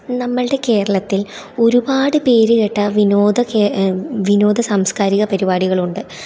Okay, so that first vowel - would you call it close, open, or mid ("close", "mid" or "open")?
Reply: open